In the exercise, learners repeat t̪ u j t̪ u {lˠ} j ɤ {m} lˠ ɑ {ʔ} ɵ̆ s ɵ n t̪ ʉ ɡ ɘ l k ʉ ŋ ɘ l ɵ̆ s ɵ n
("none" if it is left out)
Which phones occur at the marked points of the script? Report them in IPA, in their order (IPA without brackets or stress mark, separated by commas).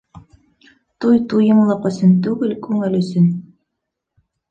none, m, q